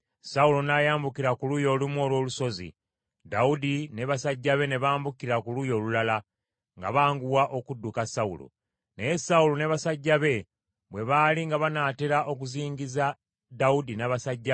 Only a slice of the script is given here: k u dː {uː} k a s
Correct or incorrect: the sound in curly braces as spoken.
incorrect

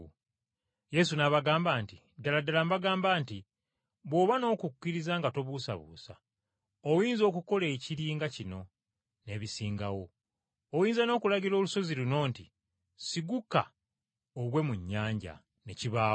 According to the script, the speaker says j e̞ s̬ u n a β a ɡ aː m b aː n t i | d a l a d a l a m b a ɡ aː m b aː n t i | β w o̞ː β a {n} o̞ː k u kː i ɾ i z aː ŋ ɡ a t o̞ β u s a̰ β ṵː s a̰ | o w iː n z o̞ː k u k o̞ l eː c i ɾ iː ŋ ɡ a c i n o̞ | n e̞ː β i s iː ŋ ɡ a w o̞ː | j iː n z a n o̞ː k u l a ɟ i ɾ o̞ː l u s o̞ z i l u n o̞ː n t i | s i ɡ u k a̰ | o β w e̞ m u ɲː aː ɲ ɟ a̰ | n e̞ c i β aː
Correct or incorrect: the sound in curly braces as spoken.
correct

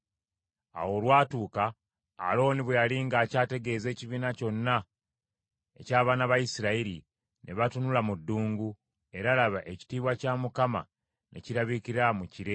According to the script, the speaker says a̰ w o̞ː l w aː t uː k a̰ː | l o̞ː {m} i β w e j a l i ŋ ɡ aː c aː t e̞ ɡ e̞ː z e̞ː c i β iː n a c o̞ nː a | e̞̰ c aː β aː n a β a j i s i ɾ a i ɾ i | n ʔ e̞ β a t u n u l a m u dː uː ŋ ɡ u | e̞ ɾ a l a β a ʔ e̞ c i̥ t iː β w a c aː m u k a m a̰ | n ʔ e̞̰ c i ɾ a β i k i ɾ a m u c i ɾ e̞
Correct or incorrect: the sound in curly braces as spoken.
incorrect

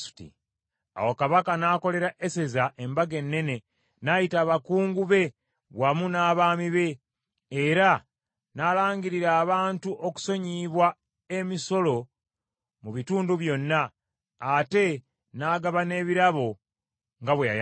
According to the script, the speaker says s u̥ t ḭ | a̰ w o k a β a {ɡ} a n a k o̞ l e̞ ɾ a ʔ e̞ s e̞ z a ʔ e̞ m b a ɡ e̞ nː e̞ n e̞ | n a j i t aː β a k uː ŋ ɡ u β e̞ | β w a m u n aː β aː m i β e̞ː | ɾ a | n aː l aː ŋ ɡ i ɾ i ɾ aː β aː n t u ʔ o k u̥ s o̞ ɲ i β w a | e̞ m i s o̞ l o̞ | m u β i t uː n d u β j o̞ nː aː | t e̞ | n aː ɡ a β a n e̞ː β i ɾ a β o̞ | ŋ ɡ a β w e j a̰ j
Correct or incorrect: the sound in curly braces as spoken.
incorrect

